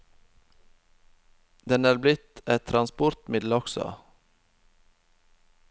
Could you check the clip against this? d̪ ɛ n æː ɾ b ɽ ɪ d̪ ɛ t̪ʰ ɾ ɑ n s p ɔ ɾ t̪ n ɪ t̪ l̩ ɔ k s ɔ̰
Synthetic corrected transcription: d̪ ɛ n æː ɾ b l ɪ t̪ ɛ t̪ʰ ɾ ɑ n s p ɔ ɾ t̪ m ɪ d̪ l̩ ɔ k s ɔ̰